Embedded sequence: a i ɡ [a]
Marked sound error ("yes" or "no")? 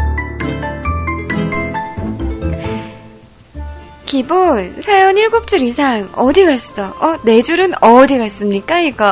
yes